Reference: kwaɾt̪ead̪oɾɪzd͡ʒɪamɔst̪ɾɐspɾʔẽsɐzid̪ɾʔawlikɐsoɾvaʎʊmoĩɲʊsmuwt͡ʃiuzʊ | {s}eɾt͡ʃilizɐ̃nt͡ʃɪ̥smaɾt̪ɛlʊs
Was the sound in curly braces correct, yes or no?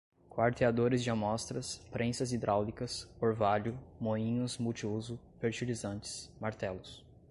no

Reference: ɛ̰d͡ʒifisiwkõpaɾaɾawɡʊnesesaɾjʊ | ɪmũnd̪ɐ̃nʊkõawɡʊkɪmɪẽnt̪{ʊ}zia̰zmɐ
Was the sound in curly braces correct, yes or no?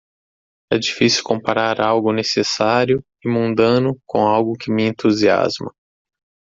no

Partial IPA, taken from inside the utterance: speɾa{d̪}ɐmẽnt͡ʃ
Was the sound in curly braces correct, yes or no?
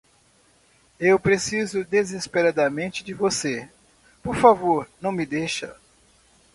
yes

